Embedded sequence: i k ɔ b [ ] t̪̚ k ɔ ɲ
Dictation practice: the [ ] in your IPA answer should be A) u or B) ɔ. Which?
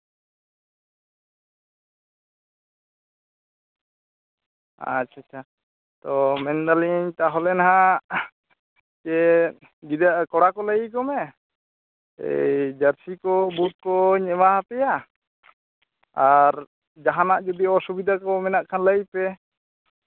A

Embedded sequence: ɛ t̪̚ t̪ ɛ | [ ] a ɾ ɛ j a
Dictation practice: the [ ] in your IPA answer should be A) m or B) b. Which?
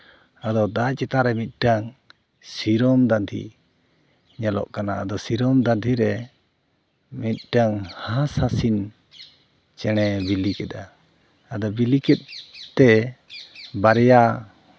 B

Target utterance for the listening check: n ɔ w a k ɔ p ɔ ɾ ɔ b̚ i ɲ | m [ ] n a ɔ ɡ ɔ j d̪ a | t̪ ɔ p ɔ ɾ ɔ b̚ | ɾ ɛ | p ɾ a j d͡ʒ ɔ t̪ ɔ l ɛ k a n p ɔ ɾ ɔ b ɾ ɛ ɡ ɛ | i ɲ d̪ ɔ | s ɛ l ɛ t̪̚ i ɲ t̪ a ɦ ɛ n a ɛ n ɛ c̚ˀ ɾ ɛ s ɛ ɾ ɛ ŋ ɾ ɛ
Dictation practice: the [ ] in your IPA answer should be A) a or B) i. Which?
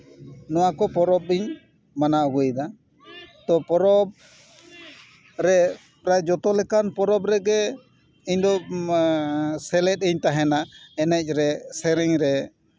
A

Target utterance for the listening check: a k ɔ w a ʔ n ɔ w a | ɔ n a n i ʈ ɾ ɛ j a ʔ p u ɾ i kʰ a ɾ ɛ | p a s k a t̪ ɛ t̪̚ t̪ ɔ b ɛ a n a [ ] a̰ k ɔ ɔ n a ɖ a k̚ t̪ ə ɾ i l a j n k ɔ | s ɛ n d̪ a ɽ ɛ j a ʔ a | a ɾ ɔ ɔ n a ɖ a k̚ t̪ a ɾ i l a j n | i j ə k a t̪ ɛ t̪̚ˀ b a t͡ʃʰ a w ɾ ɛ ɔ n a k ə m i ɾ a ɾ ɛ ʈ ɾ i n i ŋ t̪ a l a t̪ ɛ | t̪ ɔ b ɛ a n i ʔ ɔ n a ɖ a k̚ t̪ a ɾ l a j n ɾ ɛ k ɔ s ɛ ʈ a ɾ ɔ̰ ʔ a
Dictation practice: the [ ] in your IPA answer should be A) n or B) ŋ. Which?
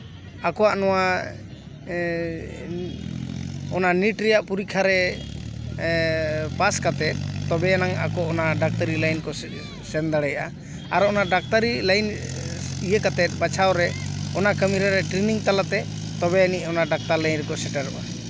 B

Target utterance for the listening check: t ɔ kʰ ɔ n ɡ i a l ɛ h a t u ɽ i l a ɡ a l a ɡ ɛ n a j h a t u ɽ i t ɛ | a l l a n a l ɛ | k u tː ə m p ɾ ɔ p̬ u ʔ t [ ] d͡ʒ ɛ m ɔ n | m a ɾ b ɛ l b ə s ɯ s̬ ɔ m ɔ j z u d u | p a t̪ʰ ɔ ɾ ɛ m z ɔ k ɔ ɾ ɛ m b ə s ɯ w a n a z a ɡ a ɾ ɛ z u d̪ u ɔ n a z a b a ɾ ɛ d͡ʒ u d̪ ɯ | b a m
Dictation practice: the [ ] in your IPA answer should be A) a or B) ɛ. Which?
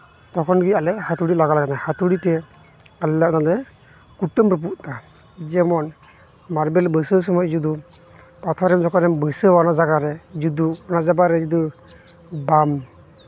A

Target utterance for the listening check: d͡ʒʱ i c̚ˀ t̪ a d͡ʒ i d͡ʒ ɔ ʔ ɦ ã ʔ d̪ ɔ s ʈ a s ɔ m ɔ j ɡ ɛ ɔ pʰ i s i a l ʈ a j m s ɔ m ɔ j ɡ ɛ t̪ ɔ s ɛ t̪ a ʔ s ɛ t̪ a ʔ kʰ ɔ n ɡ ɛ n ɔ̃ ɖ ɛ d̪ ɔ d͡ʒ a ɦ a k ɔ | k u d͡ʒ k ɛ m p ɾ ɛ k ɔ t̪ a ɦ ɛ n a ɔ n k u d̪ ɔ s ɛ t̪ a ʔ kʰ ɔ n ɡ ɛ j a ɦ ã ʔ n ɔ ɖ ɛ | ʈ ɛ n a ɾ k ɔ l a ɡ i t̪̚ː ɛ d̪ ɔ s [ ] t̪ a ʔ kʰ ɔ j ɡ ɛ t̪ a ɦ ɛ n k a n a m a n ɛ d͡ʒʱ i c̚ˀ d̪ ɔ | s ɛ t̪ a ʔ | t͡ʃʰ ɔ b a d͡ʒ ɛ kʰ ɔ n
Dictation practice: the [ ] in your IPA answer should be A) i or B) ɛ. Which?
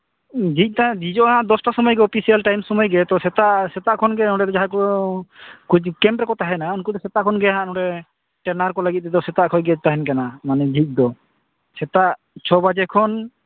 B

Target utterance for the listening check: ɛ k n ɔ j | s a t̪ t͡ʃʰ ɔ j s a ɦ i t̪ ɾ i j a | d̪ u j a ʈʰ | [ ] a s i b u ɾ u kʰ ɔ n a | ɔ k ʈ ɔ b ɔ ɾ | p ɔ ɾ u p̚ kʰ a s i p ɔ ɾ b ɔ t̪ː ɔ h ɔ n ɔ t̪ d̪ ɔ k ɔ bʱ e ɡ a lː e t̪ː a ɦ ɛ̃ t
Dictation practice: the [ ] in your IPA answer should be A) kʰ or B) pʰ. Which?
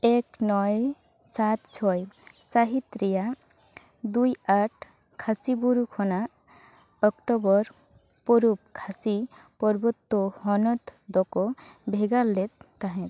A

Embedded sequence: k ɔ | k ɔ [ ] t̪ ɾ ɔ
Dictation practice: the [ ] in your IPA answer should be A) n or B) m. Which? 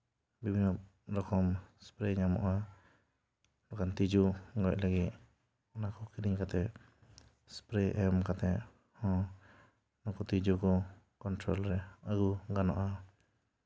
A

